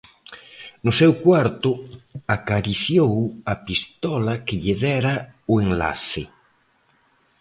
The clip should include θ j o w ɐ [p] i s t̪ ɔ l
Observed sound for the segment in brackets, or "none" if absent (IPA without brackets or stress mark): p